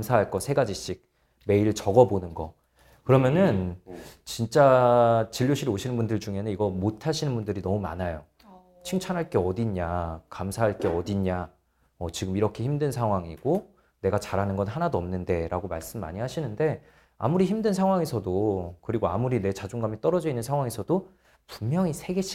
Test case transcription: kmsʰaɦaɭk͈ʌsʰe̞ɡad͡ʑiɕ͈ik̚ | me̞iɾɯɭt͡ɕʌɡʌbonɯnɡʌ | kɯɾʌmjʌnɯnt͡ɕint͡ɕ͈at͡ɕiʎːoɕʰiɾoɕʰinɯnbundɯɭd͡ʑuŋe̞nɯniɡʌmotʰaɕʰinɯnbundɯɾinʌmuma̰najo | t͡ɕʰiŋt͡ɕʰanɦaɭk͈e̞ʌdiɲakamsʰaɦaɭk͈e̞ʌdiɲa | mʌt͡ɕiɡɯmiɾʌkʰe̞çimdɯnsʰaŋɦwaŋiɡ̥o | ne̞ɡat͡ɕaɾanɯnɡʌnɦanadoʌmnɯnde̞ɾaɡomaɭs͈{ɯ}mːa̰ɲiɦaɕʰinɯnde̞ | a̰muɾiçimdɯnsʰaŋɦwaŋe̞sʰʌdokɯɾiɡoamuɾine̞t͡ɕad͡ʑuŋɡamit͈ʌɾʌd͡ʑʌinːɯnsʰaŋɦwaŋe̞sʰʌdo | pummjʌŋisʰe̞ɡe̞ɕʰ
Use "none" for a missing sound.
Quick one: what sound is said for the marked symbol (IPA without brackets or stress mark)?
ɯ